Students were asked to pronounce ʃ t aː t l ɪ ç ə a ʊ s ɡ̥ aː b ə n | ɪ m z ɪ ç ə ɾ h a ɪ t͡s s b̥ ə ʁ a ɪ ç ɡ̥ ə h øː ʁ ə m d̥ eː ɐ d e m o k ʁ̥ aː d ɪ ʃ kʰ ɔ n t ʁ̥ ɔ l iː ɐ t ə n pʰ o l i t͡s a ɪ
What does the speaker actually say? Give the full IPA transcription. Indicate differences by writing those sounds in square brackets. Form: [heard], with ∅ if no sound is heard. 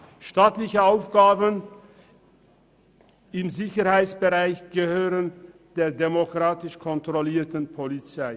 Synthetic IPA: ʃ t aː t l ɪ ç ə a ʊ [f] ɡ̥ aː b ə n | ɪ m z ɪ ç ə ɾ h a ɪ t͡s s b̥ ə ʁ a ɪ ç ɡ̥ ə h øː ʁ ə [n] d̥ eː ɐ d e m o k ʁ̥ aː [t] ɪ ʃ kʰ ɔ n t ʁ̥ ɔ l iː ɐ t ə n pʰ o l i t͡s a ɪ